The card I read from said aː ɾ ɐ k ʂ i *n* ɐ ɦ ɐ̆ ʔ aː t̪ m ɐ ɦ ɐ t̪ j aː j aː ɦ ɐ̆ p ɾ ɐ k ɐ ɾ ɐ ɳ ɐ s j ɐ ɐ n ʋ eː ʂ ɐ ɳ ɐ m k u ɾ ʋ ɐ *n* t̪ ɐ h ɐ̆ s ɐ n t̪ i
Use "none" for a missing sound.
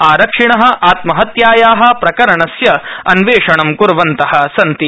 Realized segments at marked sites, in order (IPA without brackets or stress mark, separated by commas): ɳ, n